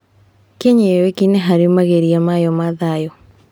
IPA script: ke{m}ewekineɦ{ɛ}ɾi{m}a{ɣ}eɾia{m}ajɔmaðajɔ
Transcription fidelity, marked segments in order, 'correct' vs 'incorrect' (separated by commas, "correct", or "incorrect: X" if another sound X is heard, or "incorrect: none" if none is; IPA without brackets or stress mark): incorrect: ɲ, incorrect: a, correct, correct, correct